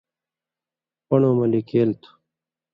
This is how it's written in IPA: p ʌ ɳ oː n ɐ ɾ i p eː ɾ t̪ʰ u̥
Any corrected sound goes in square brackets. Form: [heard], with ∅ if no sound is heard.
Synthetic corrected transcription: p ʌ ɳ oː [m] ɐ [l] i [k] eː [l] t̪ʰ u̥